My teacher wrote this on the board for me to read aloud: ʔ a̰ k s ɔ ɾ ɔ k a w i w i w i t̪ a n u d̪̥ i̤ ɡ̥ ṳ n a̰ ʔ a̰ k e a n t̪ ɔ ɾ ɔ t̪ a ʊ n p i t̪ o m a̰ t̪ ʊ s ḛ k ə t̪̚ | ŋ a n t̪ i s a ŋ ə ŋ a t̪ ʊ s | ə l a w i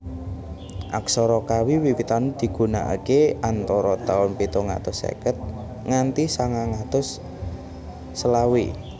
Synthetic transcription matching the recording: ʔ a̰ k s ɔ ɾ ɔ k a w i w i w i t̪ a n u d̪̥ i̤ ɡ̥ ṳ n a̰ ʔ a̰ k e a n t̪ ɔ ɾ ɔ t̪ a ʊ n p i t̪ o ŋ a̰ t̪ ʊ s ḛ k ə t̪̚ | ŋ a n t̪ i s a ŋ a ŋ a t̪ ʊ s | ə l a w i